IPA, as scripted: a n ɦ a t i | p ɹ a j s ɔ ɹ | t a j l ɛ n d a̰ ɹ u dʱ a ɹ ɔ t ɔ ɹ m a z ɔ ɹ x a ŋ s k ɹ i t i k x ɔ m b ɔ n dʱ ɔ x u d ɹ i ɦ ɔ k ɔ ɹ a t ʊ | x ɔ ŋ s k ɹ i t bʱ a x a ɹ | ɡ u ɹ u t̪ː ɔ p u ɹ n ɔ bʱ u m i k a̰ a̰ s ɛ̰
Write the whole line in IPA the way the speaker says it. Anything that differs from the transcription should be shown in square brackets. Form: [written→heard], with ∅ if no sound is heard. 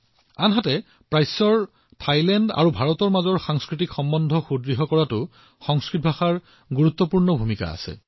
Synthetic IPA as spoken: a n ɦ a t [i→ɛ] | p ɹ a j s ɔ ɹ | [t→tʰ] a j l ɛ n d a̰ ɹ u [dʱ→bʱ] a ɹ ɔ t ɔ ɹ m a z ɔ ɹ x a ŋ s k ɹ i t i k x ɔ m b ɔ n dʱ ɔ x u d ɹ i ɦ ɔ k ɔ ɹ a t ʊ | x ɔ ŋ s k ɹ i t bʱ a x a ɹ | ɡ u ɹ u t̪ː ɔ p u ɹ n ɔ bʱ u m i k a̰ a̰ s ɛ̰